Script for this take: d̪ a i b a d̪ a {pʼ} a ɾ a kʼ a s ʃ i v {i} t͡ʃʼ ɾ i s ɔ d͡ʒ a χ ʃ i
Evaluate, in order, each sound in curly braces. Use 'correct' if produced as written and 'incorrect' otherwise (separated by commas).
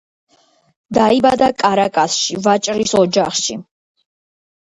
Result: incorrect, incorrect